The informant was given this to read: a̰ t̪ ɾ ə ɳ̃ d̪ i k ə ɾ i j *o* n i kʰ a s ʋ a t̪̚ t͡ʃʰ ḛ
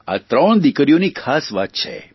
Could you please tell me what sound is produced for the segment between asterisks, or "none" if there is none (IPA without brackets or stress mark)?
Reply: o